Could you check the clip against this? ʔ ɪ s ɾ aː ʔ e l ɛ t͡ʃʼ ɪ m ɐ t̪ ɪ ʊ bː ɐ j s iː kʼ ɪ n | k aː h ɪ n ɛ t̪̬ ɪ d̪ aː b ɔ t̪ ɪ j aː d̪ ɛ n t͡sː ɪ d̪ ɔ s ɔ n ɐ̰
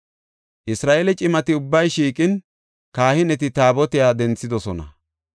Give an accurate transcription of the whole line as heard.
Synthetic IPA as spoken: ʔ ɪ s ɾ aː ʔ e l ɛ t͡ʃʼ ɪ m ɐ t̪ ɪ ʊ bː ɐ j ʃ iː kʼ ɪ n | k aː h ɪ n ɛ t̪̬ ɪ t̪ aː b ɔ t̪ ɪ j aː d̪ ɛ n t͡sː ɪ d̪ ɔ s ɔ n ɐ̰